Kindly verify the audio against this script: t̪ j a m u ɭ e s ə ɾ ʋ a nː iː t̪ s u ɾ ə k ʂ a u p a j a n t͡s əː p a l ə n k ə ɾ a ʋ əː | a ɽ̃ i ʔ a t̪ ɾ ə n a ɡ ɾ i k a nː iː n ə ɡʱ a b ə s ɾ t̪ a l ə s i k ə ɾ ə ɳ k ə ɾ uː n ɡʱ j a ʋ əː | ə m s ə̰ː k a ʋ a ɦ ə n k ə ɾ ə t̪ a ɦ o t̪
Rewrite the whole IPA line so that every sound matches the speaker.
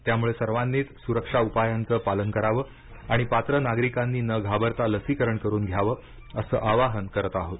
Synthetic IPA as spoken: t̪ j a m u ɭ e s ə ɾ ʋ a nː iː t̪ s u ɾ ə k ʂ a u p a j a n t͡s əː p a l ə n k ə ɾ a ʋ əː | a ɽ̃ i p a t̪ ɾ ə n a ɡ ɾ i k a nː iː n ə ɡʱ a b ə ɾ t̪ a l ə s i k ə ɾ ə ɳ k ə ɾ uː n ɡʱ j a ʋ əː | ə s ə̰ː ʔ a ʋ a ɦ ə n k ə ɾ ə t̪ a ɦ o t̪